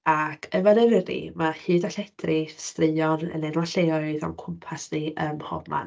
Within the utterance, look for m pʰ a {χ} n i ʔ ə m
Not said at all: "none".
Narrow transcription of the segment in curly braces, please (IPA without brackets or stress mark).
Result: s